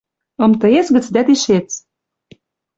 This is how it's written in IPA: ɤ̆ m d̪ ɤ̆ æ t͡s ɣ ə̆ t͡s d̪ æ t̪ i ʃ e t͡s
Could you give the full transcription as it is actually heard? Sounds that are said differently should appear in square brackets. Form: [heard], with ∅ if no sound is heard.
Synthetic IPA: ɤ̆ m [t̪] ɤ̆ [e] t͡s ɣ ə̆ t͡s d̪ æ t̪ i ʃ e t͡s